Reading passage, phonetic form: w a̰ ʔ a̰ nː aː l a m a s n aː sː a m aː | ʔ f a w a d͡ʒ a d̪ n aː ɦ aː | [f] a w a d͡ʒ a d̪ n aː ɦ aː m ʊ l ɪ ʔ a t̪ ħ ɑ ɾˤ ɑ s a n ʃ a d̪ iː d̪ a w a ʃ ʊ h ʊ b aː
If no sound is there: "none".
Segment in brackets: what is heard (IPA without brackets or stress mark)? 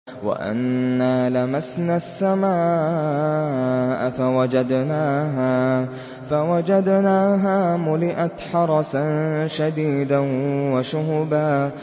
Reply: f